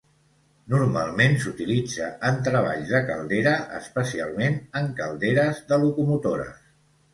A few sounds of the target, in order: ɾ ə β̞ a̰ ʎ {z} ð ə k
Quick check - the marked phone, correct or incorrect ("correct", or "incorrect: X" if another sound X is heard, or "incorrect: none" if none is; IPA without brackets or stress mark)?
correct